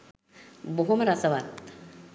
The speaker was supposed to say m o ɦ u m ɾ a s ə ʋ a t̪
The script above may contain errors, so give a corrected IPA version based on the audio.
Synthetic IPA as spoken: b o ɦ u m ɾ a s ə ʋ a t̪